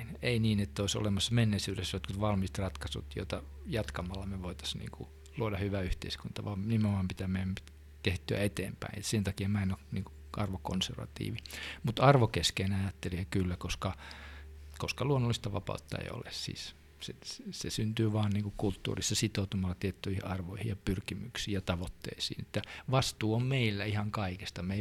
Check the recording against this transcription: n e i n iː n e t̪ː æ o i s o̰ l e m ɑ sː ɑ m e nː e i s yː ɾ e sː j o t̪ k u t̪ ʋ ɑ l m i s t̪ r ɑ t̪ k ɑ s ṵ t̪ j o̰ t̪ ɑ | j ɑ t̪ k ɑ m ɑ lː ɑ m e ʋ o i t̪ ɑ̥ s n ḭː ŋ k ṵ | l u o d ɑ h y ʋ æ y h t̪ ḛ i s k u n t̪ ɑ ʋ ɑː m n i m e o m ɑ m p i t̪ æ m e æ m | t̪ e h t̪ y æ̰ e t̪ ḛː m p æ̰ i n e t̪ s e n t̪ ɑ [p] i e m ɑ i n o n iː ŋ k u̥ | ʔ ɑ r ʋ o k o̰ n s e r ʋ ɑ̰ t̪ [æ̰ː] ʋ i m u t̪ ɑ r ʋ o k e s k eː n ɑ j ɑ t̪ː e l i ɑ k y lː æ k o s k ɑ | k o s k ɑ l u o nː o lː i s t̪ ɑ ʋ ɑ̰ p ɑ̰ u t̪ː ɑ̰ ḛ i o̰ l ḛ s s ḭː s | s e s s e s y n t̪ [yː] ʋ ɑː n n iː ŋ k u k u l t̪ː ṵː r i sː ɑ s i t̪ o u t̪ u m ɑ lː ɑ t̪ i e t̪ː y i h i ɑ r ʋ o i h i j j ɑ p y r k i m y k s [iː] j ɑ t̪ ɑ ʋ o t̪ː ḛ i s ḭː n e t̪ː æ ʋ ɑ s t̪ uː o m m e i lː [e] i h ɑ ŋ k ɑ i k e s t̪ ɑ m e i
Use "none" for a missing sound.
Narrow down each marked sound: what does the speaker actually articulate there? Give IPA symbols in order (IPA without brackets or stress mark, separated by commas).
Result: k, ḭː, yː, iː, æ